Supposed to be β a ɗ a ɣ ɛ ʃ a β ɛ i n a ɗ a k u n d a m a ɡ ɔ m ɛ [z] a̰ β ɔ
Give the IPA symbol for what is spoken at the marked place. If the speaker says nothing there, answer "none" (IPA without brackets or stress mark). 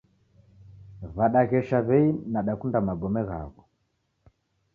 ɣ